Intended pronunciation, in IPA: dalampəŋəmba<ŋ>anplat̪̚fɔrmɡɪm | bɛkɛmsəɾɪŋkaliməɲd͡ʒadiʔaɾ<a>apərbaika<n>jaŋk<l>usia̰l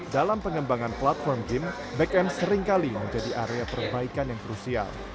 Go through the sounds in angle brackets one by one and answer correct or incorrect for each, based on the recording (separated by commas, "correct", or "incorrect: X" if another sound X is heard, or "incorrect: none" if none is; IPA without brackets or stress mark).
correct, incorrect: e, correct, incorrect: ɾ